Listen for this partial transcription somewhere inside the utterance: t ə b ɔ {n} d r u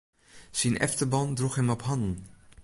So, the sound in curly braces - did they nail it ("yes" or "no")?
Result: yes